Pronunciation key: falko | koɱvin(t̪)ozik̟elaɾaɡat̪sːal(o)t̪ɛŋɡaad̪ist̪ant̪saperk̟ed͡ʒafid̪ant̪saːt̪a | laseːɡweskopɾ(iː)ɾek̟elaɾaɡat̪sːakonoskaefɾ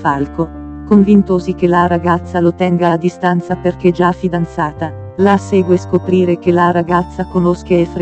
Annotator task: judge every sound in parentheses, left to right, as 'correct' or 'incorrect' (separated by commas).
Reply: correct, correct, correct